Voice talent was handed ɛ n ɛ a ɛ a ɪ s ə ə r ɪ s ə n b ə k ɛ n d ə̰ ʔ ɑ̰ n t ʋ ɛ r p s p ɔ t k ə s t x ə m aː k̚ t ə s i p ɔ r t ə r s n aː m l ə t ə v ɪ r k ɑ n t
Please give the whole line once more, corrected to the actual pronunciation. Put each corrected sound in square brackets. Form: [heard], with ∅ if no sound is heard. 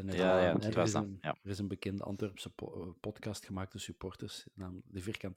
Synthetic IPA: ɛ n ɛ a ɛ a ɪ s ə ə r ɪ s ə n b ə k ɛ n d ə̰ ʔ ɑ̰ n t ʋ ɛ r p s p ɔ t k [ɑ] s t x ə m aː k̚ t ə s [y] p ɔ r t ə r s n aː m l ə [d] ə v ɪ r k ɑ n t